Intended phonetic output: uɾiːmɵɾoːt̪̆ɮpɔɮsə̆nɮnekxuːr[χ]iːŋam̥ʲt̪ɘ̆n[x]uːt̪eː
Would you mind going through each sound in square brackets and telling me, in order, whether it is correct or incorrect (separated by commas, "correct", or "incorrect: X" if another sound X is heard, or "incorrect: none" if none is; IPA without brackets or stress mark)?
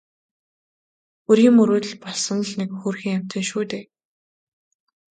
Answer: incorrect: x, incorrect: ʃ